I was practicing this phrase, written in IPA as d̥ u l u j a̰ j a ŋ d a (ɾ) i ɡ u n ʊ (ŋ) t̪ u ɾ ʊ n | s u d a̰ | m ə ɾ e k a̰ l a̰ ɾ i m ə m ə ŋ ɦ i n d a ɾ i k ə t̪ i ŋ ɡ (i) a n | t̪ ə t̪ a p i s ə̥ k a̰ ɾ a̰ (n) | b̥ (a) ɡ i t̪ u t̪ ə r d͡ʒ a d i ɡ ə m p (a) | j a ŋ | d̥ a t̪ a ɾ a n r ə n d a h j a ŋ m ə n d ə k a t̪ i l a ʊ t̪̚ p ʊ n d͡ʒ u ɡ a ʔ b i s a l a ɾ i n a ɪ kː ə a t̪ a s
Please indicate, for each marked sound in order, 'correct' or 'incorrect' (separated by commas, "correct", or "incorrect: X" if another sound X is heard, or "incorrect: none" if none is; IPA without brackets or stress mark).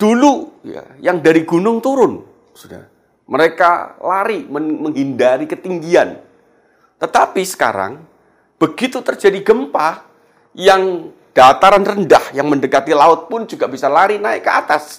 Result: correct, correct, correct, incorrect: ŋ, incorrect: ə, correct